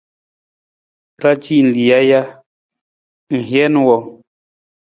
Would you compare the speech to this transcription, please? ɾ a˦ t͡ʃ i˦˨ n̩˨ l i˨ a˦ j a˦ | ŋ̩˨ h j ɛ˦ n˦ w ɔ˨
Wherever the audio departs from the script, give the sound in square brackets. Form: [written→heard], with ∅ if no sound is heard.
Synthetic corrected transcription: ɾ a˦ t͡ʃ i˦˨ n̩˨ l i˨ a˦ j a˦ | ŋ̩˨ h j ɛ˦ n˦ w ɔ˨

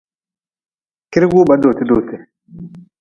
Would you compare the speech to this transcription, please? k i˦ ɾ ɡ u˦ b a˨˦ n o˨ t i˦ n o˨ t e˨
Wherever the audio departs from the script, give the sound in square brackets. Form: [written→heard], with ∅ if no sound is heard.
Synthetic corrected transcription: k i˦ ɾ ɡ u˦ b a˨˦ [n→d] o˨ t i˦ [n→d] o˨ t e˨

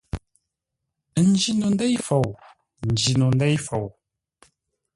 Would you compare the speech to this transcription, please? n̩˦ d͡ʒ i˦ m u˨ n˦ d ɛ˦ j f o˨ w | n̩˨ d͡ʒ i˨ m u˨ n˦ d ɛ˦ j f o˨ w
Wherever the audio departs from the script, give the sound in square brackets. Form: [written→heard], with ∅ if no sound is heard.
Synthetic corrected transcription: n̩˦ d͡ʒ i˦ [m→n] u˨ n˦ d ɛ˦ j f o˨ w | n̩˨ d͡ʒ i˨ [m→n] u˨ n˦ d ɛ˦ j f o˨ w

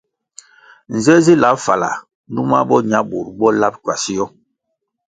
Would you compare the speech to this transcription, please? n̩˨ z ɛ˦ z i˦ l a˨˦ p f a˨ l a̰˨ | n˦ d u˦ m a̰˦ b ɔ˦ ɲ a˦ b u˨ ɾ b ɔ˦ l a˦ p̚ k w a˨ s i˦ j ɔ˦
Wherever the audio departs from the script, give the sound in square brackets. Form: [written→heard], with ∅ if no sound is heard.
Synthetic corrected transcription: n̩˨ z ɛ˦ z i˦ l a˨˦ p f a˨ l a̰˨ | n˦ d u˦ m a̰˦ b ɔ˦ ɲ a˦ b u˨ ɾ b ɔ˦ l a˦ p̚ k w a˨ s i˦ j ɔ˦

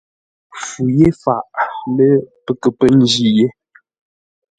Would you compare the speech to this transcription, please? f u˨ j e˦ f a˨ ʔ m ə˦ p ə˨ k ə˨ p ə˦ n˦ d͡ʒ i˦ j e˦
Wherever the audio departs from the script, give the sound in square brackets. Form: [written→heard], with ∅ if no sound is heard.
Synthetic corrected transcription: f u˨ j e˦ f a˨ ʔ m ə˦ p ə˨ k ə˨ p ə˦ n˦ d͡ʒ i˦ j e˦

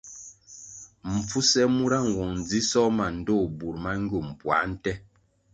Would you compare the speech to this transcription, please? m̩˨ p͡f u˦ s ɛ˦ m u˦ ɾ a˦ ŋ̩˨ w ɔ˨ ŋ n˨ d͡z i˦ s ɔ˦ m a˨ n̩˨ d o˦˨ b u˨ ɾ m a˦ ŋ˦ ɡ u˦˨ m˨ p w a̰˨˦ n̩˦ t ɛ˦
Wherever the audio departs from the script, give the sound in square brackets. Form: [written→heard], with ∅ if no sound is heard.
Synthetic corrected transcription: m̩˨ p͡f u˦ s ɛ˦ m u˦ ɾ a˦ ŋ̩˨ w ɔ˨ ŋ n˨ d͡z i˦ s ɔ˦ m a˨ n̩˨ d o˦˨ b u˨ ɾ m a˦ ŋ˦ ɡ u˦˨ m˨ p w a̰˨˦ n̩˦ t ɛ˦

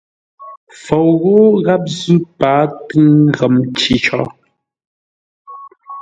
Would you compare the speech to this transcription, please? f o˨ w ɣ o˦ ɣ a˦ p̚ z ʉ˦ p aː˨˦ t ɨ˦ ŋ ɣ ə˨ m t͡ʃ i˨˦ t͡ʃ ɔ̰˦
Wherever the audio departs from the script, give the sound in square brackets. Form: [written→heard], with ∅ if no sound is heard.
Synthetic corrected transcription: f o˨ w ɣ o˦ ɣ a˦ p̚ z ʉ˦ p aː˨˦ t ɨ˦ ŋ ɣ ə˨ m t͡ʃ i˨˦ t͡ʃ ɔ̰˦

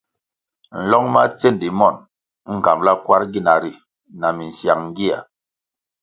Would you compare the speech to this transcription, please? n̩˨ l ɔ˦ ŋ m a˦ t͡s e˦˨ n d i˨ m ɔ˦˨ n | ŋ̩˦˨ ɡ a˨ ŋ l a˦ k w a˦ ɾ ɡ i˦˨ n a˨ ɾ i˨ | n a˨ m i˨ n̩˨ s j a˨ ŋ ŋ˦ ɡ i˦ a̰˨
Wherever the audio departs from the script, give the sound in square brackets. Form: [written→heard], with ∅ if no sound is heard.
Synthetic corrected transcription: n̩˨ l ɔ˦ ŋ m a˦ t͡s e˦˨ n d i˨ m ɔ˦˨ n | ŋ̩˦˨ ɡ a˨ [ŋ→m] l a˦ k w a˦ ɾ ɡ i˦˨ n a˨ ɾ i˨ | n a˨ m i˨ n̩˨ s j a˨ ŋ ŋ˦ ɡ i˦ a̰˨

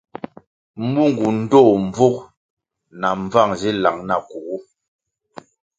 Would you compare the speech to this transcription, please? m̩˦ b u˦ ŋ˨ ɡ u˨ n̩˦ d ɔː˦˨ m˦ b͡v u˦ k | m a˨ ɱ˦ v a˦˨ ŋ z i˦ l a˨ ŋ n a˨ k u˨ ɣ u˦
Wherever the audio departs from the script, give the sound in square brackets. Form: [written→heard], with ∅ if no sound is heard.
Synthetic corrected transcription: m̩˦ b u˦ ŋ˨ ɡ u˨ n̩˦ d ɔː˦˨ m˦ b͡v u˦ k | [m→n] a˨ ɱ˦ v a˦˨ ŋ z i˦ l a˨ ŋ n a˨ k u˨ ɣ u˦

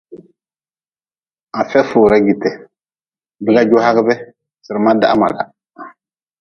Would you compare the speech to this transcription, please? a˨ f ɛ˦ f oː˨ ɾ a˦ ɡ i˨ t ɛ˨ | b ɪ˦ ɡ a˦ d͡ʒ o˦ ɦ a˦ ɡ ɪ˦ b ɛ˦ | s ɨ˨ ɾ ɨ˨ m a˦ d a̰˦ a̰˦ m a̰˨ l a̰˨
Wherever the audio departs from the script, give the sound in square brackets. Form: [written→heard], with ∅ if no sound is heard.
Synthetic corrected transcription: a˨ f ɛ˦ f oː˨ ɾ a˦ ɡ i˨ t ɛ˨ | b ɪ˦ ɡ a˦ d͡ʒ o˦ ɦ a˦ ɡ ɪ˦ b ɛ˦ | s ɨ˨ ɾ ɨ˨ m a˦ d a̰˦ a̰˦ m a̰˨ l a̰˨

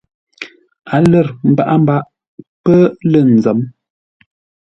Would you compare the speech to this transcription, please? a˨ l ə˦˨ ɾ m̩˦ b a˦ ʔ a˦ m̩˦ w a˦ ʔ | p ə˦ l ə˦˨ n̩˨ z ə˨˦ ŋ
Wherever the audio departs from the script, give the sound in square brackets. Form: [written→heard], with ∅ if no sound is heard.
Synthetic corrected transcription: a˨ l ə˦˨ ɾ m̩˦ b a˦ ʔ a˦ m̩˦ [w→b] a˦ ʔ | p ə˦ l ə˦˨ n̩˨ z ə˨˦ [ŋ→m]

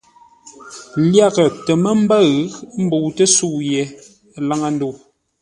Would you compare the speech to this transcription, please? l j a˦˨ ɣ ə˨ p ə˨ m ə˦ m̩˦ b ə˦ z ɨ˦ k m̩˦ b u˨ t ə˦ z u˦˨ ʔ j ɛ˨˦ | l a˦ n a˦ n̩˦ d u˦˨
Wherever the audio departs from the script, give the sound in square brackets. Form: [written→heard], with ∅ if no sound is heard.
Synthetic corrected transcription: l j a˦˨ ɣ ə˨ [p→t] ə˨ m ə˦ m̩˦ b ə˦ [z→ɣ] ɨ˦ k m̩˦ b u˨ t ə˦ [z→s] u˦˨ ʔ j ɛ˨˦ | l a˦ [n→ŋ] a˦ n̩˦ d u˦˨

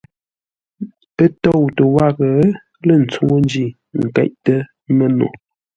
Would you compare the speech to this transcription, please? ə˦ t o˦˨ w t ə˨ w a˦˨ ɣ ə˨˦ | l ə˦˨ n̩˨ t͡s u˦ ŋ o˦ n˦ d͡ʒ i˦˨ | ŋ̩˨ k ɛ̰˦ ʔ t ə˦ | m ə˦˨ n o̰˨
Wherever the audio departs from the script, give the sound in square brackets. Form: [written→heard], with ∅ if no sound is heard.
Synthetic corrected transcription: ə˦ t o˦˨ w t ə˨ w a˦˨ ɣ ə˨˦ | l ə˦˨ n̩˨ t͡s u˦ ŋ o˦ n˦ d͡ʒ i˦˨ | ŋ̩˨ k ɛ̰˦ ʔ t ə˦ | m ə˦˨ n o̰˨

